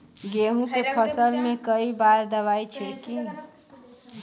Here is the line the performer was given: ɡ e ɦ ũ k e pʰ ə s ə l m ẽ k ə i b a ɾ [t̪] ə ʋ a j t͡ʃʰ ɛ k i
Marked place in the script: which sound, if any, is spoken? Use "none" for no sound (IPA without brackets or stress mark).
d̪